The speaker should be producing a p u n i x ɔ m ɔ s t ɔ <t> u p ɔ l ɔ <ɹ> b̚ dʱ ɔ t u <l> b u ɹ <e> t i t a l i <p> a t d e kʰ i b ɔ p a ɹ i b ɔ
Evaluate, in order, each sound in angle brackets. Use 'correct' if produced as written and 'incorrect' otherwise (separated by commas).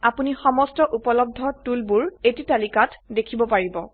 incorrect, incorrect, correct, correct, incorrect